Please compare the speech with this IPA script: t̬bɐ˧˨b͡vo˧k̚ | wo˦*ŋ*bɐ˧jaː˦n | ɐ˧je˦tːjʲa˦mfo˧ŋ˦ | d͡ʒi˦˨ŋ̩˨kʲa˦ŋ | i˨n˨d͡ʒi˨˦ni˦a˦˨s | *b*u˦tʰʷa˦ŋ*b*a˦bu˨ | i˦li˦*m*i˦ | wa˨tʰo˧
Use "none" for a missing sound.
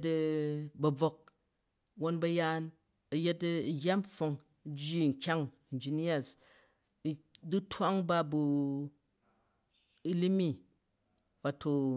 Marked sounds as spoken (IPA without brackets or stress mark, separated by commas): n, d, b, m